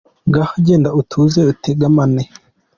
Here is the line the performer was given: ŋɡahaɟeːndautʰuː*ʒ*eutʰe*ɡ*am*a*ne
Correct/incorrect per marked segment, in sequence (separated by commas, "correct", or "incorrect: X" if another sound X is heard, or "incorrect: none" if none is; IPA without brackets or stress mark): incorrect: z, correct, correct